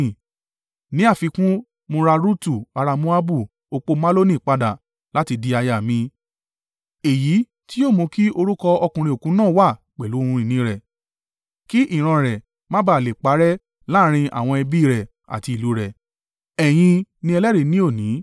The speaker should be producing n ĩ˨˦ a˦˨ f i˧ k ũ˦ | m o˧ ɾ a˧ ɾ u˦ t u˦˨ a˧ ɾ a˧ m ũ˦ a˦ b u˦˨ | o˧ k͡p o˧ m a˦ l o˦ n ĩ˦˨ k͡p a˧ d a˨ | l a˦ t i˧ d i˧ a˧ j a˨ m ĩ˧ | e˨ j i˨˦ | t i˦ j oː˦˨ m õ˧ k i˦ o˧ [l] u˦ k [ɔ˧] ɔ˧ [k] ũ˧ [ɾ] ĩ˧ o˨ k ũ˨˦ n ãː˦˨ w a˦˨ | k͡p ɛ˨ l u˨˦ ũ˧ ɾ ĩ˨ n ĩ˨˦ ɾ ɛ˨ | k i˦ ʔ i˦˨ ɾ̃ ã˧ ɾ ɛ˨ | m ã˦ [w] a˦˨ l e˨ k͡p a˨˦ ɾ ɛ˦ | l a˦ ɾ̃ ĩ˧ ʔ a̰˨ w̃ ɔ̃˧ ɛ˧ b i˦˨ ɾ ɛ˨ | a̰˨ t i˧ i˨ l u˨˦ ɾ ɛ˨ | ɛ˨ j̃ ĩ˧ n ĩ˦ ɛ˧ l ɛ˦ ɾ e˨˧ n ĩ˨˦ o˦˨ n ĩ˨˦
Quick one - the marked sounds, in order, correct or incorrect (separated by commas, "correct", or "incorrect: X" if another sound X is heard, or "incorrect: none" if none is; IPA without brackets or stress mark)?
incorrect: ɾ, correct, correct, correct, incorrect: b